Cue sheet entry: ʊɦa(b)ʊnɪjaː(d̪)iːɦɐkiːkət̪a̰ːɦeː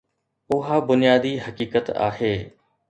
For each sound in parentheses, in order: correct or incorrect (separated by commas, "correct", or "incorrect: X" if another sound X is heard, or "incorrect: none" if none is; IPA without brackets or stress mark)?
correct, correct